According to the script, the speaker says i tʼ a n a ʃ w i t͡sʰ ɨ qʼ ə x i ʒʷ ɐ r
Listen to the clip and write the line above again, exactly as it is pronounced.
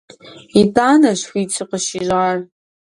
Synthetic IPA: i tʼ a n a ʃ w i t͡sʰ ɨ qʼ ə ʃ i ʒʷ a r

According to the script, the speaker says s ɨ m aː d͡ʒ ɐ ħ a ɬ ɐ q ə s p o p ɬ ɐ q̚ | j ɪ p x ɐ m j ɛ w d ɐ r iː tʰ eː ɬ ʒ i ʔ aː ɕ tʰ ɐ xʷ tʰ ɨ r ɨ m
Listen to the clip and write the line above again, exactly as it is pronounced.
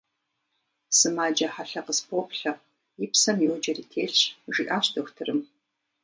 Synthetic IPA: s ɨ m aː d͡ʒ ɐ ħ a ɬ ɐ q ə s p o p ɬ ɐ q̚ | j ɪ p s ɐ m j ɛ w d͡ʒ ɐ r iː tʰ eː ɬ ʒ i ʔ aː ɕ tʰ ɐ xʷ tʰ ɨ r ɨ m

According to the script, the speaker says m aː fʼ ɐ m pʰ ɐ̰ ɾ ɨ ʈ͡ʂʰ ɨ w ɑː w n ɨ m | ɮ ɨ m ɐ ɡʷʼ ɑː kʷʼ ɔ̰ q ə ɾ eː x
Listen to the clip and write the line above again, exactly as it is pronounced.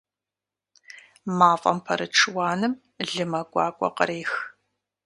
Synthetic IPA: m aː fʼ ɐ m pʰ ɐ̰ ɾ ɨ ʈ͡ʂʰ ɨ w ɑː n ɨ m | ɮ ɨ m ɐ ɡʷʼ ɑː kʷʼ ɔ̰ q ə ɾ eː x

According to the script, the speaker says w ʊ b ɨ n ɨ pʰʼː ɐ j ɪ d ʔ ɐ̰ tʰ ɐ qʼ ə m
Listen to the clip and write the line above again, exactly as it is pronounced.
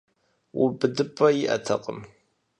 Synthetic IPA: w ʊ b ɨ d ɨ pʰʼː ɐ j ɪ ʔ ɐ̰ tʰ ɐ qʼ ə m

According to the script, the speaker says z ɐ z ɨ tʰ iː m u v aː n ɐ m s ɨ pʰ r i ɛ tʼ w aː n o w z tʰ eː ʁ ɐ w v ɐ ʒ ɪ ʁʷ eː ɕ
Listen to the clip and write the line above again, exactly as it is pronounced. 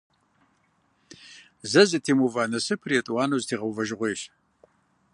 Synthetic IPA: z ɐ z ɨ tʰ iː m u v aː n ɐ s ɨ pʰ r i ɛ tʼ w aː n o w z tʰ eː ʁ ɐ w v ɐ ʒ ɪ ʁʷ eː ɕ

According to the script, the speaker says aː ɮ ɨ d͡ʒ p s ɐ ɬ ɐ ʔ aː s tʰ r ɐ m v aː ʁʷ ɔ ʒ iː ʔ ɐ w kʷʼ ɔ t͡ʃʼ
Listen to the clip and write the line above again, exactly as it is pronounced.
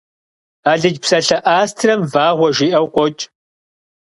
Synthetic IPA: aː ɮ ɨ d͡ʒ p s ɐ ɬ ɐ ʔ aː s tʰ r ɐ m v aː ʁʷ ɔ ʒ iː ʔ ɐ w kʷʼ ɔ t͡ʃʼ

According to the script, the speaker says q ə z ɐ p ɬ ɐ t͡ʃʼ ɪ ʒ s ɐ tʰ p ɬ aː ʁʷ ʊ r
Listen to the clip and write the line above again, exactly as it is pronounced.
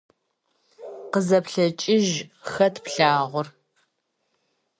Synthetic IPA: q ə z ɐ p ɬ ɐ t͡ʃʼ ɪ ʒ x ɐ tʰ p ɬ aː ʁʷ ʊ r

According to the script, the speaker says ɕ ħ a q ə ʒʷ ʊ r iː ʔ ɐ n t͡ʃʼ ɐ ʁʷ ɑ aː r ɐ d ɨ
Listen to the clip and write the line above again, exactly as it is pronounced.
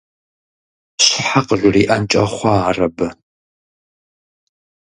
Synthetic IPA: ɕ ħ a q ə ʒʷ ʊ r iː ʔ ɐ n t͡ʃʼ ɐ χʷ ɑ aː r ɐ b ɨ

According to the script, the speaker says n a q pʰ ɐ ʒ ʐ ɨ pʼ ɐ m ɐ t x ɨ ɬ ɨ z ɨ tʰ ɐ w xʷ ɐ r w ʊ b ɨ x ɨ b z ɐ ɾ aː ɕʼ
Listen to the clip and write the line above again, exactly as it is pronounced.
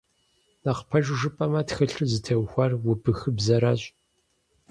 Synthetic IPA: n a q pʰ ɐ ʒ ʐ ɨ pʼ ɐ m ɐ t x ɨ ɬ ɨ z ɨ tʰ ɐ w xʷ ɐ r w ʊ b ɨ x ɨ b z ɐ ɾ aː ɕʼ

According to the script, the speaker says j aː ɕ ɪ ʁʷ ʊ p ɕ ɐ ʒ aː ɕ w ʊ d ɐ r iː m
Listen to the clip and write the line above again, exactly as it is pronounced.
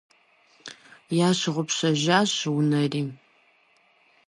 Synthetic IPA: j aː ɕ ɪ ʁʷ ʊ p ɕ ɐ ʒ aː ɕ w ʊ n ɐ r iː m

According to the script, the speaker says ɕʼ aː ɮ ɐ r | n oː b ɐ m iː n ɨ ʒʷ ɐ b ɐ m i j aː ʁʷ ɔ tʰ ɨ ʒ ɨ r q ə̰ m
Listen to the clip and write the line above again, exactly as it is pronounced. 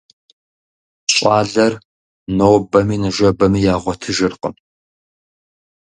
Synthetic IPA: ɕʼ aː ɮ ɐ r | n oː b ɐ m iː n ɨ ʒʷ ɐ b ɐ m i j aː ʁʷ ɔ tʰ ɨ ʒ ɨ r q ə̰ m

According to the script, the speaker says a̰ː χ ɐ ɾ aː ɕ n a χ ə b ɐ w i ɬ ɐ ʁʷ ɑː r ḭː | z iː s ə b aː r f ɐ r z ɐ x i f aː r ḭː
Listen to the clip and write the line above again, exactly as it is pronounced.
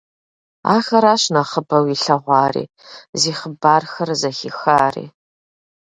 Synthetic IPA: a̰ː x ɐ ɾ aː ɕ n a χ ə b ɐ w i ɬ ɐ ʁʷ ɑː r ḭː | z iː χ ə b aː r x ɐ r z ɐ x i x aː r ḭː

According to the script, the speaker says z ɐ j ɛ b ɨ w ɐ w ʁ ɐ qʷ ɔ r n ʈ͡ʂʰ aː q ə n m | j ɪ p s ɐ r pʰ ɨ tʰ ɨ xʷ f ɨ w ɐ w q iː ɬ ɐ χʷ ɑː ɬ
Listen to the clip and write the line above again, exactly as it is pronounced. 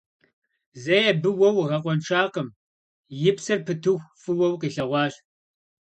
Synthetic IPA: z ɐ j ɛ b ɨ w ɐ w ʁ ɐ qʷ ɔ n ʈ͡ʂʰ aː q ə m | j ɪ p s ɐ r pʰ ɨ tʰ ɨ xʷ f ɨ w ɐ w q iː ɬ ɐ ʁʷ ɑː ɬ

